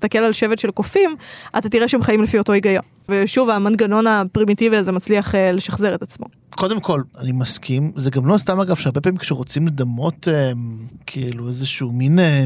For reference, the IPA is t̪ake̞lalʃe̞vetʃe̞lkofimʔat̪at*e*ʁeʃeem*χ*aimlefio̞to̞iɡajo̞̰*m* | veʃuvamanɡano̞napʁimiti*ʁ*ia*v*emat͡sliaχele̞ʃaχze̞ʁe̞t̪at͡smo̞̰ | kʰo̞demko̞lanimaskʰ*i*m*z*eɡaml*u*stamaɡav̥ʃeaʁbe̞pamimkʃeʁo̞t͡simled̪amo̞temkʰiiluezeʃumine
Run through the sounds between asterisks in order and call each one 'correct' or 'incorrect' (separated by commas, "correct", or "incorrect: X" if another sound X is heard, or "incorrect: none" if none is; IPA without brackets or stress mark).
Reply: incorrect: i, correct, incorrect: n, incorrect: v, incorrect: z, correct, correct, incorrect: o